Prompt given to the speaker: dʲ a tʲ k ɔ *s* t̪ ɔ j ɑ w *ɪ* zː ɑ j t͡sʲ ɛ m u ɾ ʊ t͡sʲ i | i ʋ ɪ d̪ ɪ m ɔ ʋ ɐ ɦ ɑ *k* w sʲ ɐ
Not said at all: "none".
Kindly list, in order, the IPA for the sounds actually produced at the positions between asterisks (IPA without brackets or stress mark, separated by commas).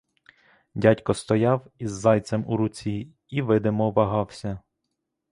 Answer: s, i, none